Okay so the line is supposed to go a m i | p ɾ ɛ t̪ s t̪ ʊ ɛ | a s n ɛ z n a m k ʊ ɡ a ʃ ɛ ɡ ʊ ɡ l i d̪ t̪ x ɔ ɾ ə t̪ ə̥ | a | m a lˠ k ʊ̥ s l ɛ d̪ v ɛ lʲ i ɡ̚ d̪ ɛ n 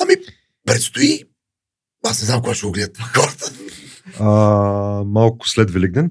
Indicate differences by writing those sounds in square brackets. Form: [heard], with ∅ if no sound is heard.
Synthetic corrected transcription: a m i | p ɾ ɛ t̪ s t̪ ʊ [i] | a s n ɛ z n a m k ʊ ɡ a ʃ ɛ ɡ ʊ ɡ l [ɛ] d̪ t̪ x ɔ ɾ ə t̪ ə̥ | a | m a lˠ k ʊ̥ s l ɛ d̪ v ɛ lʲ i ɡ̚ d̪ ɛ n